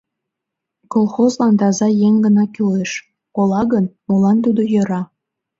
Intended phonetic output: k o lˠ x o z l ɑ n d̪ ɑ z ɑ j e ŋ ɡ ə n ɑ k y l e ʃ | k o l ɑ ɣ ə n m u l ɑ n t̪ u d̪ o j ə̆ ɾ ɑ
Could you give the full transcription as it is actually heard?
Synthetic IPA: k o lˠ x o z l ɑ n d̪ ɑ z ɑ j e ŋ ɡ ə n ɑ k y l e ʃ | k o l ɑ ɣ ə n m o l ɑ n t̪ u d̪ o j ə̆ ɾ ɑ